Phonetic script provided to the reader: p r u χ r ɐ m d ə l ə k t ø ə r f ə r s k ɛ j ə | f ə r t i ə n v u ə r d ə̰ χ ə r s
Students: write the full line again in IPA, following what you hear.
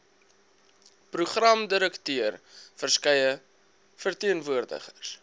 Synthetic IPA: p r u χ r ɐ m d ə ɾ ə k t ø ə r f ə r s k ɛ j ə | f ə r t i ə n v u ə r d ə̰ χ ə r s